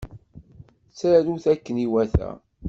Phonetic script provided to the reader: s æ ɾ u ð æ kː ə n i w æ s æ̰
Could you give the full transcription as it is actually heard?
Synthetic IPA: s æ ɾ u θ æ kː ə n i w æ θ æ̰